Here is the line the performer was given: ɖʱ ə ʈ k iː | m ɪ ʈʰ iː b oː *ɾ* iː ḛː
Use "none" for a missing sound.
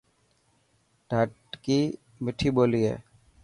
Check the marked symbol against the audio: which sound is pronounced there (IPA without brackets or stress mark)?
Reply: l